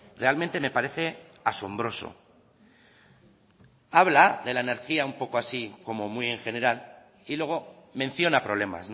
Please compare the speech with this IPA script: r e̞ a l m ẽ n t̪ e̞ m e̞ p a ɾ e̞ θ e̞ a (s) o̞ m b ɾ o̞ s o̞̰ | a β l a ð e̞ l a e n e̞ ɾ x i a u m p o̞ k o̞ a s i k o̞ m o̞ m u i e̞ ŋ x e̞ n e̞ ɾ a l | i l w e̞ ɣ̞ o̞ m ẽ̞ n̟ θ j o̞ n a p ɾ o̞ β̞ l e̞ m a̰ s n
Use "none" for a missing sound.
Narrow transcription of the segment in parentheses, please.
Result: s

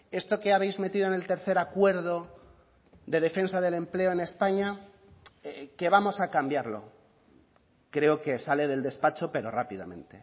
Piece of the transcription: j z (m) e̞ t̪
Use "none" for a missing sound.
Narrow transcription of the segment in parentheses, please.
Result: m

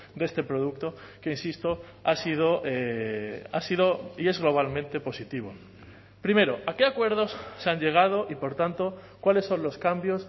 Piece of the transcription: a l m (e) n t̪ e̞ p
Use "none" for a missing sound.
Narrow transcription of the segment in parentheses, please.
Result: ẽ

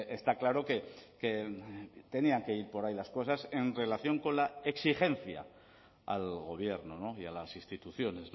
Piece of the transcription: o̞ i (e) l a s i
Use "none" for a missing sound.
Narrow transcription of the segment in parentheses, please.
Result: a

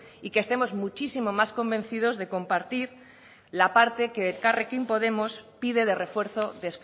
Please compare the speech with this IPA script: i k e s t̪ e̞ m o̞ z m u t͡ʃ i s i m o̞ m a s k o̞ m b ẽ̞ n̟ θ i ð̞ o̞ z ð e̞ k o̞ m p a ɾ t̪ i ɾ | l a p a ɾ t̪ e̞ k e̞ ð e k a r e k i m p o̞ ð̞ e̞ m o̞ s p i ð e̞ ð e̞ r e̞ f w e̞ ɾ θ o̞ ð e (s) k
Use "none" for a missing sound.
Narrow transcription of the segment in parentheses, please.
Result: s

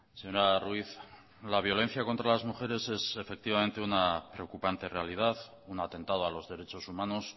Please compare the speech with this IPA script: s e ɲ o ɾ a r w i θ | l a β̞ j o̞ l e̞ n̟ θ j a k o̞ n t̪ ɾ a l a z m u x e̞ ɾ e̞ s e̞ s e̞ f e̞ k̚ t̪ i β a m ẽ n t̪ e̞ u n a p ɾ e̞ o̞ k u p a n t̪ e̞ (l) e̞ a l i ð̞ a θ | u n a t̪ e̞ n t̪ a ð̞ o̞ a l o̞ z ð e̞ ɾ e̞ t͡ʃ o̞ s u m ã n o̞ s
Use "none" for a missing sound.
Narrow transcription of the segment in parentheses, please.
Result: r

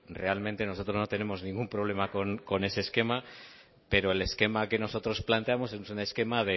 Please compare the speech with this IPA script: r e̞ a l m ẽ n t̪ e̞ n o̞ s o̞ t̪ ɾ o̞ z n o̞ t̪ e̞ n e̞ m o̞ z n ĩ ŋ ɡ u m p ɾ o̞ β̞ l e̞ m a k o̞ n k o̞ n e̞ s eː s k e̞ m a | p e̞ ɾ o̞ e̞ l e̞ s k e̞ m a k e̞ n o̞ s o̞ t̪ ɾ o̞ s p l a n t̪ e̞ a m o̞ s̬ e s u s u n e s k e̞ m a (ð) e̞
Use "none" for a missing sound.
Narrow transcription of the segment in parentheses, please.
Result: ð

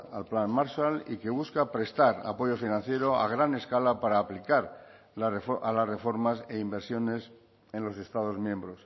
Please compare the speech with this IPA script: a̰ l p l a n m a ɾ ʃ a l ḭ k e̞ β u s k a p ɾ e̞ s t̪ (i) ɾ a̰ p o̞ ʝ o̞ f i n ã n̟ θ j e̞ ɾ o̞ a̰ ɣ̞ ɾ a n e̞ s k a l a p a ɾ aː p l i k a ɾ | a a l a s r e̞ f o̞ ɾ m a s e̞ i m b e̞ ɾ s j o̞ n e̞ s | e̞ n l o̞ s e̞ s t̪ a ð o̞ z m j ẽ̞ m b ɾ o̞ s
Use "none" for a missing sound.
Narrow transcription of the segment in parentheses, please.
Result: a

